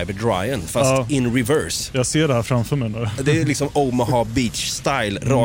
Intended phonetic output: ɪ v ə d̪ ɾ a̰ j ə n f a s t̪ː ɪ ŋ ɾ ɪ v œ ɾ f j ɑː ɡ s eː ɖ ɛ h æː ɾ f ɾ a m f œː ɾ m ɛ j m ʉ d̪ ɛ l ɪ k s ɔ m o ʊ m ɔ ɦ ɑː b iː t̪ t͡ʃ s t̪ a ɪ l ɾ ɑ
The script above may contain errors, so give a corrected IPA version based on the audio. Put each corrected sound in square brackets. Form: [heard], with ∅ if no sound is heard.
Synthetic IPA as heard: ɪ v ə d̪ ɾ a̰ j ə n f a s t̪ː ɪ [n] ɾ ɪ v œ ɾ [s] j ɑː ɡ s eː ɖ ɛ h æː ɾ f ɾ a m f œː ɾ m ɛ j [n] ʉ d̪ ɛ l ɪ k s ɔ m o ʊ m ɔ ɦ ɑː b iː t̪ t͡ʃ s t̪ a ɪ l ɾ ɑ